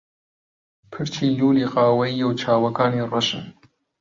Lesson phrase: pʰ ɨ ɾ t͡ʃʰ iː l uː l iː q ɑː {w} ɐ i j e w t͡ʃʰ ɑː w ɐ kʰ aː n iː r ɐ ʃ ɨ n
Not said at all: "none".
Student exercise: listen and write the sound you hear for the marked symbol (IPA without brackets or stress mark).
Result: w